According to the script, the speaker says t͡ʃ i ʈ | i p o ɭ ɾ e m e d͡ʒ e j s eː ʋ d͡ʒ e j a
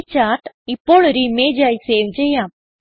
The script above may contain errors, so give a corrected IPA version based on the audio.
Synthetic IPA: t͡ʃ a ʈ | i p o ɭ ɾ i m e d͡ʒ a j s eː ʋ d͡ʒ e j a